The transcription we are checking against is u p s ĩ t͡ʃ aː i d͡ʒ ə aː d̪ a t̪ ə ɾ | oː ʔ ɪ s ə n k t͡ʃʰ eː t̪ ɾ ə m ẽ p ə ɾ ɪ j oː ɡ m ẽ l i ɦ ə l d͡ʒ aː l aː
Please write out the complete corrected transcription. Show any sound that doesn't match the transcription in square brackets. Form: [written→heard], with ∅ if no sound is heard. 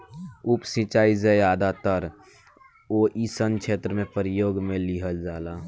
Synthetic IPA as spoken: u p s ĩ t͡ʃ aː i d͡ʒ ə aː d̪ a t̪ ə ɾ | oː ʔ [ɪ→i] s ə n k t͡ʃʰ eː t̪ ɾ ə m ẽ p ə ɾ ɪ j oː ɡ m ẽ l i ɦ ə l d͡ʒ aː l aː